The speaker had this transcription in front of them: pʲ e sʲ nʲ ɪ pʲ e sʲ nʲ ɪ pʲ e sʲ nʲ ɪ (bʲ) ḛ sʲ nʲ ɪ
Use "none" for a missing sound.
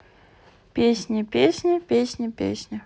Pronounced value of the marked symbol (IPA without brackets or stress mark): pʲ